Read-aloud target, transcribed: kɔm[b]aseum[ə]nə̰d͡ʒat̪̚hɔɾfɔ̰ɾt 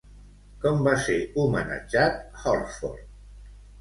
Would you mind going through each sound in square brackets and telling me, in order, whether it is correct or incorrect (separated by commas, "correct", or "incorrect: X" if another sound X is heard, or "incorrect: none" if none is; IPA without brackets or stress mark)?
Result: correct, correct